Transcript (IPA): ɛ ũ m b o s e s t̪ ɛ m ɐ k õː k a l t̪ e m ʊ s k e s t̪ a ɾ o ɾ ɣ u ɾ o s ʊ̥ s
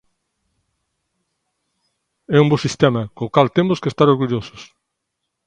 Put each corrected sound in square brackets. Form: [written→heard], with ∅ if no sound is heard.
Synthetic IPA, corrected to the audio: ɛ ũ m b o s [e→i] s t̪ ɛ m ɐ k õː k a l t̪ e m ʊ s k e s t̪ a ɾ o ɾ ɣ u [ɾ→ʎ] o s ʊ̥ s